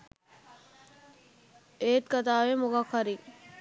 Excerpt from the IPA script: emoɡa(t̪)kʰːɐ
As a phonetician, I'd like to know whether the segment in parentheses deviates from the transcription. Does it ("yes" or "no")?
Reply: yes